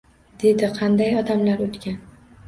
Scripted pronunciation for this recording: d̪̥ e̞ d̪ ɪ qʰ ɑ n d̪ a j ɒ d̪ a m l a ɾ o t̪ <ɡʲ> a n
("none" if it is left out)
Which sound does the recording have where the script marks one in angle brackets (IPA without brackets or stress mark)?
kʲ